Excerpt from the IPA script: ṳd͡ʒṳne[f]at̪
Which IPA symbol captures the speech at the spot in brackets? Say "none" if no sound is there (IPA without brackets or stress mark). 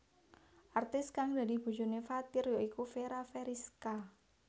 f